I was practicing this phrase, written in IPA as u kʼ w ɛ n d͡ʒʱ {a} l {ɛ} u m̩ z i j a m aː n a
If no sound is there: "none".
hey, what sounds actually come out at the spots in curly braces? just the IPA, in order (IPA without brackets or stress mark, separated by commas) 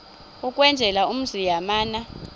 ɛ, a